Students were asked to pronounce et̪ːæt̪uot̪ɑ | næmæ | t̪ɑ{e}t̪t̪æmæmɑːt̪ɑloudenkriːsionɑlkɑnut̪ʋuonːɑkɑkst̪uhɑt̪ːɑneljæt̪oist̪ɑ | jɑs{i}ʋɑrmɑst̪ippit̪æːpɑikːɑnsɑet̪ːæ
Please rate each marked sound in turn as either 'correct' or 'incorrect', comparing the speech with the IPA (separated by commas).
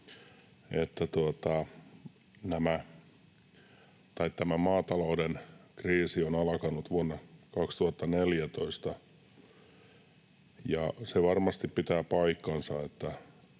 incorrect, incorrect